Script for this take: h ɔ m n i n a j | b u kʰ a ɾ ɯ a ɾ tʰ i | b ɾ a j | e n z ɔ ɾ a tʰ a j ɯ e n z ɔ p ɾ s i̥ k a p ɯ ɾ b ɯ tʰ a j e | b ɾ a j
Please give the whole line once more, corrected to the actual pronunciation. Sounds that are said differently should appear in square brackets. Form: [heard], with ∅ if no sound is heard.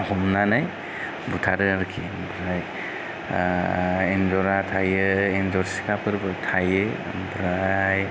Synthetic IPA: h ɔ m n [a] n a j | b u [tʰ] a ɾ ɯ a ɾ [kʰ] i | b ɾ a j | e n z ɔ ɾ a tʰ a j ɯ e n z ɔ [∅] ɾ s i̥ k a p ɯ ɾ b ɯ tʰ a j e | b ɾ a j

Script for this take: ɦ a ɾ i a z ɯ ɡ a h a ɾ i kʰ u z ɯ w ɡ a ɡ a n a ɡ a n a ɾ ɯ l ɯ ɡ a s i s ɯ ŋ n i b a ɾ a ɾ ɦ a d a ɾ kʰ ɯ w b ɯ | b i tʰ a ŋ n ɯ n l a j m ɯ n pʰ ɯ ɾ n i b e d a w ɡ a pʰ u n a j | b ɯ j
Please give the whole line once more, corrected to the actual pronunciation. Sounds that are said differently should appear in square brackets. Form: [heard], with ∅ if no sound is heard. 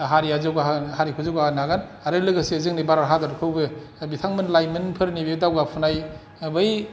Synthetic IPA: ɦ a ɾ i a z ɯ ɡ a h a ɾ i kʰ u z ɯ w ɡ a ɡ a n a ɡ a n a ɾ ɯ l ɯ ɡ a s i [z] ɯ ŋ n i b a ɾ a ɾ ɦ a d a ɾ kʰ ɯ w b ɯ | b i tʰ a ŋ [m] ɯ n l a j m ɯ n pʰ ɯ ɾ n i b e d a w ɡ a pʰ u n a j | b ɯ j

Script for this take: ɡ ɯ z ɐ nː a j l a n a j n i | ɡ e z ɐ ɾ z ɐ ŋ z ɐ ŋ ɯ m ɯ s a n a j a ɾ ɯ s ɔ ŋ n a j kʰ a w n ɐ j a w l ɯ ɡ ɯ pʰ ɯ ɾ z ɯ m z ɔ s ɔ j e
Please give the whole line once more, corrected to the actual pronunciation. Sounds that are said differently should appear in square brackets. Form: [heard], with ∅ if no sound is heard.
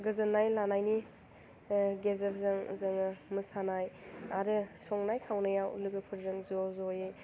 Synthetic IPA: ɡ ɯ z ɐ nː a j l a n a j n i | ɡ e z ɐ ɾ z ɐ ŋ z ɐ ŋ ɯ m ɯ s a n a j a ɾ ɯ s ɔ ŋ n a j kʰ a w n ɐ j a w l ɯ ɡ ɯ pʰ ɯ ɾ z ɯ [ŋ] z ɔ [z] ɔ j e

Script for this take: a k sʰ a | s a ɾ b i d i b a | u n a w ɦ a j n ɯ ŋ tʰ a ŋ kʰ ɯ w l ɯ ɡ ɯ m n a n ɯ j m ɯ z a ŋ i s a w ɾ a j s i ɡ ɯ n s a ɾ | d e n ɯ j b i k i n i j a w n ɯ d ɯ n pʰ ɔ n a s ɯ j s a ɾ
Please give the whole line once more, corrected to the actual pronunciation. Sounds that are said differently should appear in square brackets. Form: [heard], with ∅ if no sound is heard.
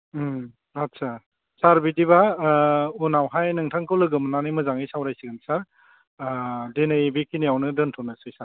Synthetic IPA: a [t] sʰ a | s a ɾ b i d i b a | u n a w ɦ a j n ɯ ŋ tʰ a ŋ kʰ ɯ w l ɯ ɡ ɯ m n a n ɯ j m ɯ z a ŋ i s a w ɾ a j s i ɡ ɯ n s a ɾ | d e n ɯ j b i k i n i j a w n ɯ d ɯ n [tʰ] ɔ n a s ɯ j s a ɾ

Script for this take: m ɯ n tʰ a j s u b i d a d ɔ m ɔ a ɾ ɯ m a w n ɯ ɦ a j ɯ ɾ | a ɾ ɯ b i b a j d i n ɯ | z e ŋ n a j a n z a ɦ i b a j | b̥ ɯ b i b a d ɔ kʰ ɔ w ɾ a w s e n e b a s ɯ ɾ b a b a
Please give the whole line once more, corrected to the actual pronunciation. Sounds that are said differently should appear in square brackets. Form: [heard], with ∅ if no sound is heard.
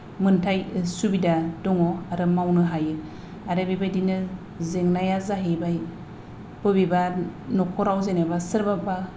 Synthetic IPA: m ɯ n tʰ a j s u b i d a d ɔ [ŋ] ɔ a ɾ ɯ m a w n ɯ ɦ a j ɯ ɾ | a ɾ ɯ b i b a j d i n ɯ | z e ŋ n a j a [∅] z a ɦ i b a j | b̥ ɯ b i b a [n] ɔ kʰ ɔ [∅] ɾ a w [z] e n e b a s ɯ ɾ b a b a

